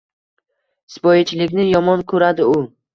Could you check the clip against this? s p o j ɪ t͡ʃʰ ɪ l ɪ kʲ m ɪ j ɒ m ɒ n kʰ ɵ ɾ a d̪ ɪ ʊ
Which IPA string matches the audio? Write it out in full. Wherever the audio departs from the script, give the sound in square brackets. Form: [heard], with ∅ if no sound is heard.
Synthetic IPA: s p [ɒ] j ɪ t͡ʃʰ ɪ l ɪ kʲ [n] ɪ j ɒ m ɒ n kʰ ɵ ɾ a d̪ ɪ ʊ